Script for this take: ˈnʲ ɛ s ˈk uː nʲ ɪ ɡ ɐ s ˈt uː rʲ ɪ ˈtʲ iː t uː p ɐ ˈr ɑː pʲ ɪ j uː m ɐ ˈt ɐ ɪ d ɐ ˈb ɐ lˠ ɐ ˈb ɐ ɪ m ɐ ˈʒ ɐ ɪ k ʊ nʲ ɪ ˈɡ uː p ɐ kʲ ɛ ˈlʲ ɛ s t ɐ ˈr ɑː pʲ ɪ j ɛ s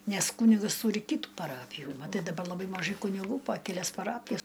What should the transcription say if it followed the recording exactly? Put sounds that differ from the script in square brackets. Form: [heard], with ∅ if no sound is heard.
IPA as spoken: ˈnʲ ɛ s ˈk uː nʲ ɪ ɡ ɐ s ˈt uː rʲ ɪ [ˈkʲ] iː t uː p ɐ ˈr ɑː pʲ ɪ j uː m ɐ ˈt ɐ ɪ d ɐ ˈb ɐ lˠ ɐ ˈb ɐ ɪ m ɐ ˈʒ ɐ ɪ k ʊ nʲ ɪ ˈɡ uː p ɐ kʲ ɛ ˈlʲ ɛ s [p] ɐ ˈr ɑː pʲ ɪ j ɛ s